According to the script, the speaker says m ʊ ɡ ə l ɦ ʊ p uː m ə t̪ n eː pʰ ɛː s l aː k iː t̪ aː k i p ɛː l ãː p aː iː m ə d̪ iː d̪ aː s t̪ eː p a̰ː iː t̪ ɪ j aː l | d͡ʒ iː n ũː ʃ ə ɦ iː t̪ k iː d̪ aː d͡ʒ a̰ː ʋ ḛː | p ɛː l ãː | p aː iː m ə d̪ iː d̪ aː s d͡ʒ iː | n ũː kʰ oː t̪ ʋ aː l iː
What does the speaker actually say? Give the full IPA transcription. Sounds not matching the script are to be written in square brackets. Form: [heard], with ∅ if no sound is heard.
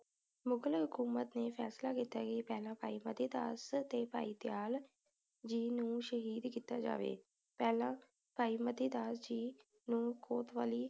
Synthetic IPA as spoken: m ʊ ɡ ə l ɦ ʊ [k] uː m ə t̪ n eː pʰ ɛː s l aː k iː t̪ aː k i p ɛː l ãː p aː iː m ə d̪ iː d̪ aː s t̪ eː p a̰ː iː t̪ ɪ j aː l | d͡ʒ iː n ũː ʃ ə ɦ iː [d̪] k iː [t̪] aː d͡ʒ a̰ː ʋ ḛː | p ɛː l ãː | p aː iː m ə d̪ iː d̪ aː s d͡ʒ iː | n ũː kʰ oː t̪ ʋ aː l iː